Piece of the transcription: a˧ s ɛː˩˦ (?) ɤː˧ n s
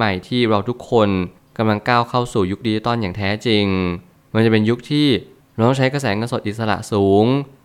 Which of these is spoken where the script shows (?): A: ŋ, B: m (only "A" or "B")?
A